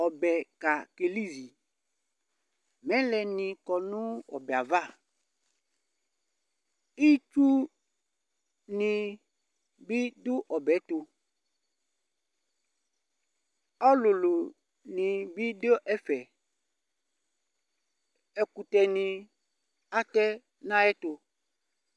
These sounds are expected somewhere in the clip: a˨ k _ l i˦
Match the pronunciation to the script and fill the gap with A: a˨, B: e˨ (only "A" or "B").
B